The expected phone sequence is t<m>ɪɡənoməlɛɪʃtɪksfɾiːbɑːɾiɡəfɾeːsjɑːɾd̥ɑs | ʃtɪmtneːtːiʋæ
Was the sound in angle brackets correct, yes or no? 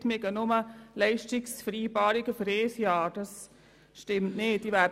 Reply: yes